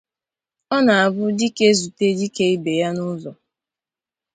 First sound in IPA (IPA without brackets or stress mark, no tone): ɔ